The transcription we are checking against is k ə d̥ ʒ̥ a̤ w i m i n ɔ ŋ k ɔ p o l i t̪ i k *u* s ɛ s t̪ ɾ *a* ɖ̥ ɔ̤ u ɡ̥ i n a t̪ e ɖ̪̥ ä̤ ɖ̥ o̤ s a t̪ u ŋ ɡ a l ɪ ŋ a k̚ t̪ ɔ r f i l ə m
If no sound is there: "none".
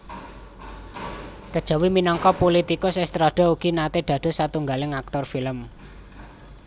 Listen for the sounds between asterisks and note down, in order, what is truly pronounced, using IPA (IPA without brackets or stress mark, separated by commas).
ʊ, a